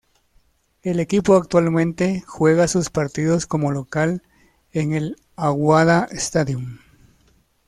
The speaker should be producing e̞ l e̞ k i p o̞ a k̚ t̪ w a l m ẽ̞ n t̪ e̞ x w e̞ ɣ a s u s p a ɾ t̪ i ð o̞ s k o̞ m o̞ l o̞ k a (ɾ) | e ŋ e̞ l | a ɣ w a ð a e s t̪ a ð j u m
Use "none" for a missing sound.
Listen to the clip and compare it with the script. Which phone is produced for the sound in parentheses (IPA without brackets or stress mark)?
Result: l